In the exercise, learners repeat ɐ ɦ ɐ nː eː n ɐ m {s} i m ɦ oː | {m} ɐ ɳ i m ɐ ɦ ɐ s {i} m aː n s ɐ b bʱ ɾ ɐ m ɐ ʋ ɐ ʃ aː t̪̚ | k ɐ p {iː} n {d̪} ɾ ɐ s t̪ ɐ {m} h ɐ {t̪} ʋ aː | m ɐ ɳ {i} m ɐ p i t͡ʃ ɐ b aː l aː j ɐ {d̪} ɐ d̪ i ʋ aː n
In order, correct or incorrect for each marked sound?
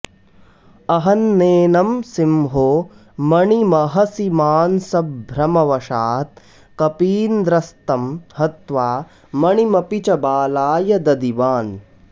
correct, correct, correct, correct, correct, correct, correct, correct, correct

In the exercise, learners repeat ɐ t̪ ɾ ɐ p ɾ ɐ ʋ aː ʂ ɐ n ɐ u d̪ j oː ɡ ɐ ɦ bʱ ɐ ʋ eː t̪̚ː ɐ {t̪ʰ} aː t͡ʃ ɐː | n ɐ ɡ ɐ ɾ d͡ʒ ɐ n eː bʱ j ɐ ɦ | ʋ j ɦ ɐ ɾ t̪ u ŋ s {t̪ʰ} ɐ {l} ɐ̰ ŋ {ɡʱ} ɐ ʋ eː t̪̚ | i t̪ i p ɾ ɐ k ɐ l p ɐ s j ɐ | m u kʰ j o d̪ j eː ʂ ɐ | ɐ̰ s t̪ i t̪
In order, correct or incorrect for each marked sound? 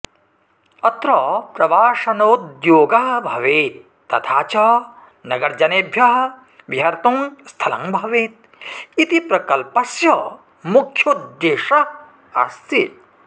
correct, correct, correct, incorrect: bʱ

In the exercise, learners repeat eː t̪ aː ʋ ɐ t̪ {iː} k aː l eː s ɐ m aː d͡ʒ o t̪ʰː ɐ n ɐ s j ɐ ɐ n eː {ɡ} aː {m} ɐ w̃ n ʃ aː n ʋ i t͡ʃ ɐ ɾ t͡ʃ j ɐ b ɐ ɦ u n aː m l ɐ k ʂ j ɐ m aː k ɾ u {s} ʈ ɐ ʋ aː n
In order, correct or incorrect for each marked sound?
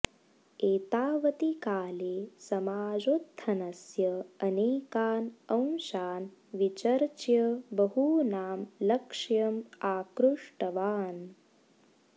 incorrect: i, incorrect: k, incorrect: n, incorrect: ʂ

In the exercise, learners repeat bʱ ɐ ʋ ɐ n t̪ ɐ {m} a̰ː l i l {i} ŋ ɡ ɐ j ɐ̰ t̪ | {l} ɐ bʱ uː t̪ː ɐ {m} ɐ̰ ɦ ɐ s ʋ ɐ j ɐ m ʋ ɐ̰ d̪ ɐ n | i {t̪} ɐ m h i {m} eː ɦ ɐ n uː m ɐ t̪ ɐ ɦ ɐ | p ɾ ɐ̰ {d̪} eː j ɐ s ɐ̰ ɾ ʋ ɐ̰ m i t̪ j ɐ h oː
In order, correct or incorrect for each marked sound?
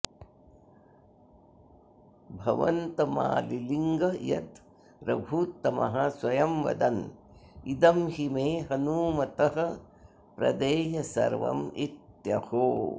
correct, correct, incorrect: ɾ, correct, incorrect: d̪, correct, correct

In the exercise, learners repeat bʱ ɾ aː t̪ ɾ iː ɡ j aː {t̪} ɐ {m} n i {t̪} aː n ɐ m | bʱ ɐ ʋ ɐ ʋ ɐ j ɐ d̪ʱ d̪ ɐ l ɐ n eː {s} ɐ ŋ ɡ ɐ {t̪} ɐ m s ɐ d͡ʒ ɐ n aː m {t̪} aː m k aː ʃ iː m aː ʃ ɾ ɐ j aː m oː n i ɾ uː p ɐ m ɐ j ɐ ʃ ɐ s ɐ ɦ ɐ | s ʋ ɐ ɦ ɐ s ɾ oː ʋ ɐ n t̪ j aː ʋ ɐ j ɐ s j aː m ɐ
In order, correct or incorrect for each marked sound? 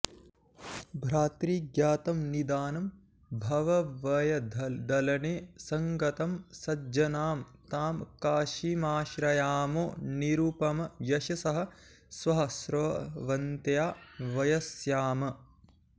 correct, correct, incorrect: d̪, correct, correct, correct

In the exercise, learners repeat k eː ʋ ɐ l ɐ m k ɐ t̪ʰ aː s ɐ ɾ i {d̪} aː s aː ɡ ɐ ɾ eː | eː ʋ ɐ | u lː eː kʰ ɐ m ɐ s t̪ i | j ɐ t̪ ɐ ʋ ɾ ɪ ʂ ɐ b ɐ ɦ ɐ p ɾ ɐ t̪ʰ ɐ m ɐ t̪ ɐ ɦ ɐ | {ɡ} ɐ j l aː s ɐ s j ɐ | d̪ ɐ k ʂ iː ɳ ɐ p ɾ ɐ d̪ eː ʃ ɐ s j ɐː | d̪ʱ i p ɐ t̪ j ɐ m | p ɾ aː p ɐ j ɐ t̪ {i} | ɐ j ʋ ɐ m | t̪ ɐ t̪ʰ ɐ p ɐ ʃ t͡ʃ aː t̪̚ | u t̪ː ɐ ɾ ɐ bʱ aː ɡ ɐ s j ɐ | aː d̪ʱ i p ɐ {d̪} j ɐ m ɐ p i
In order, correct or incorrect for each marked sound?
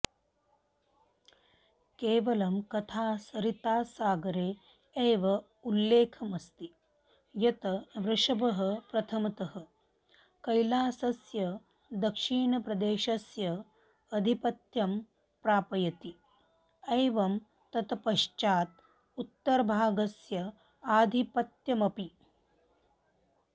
incorrect: t̪, incorrect: k, correct, incorrect: t̪

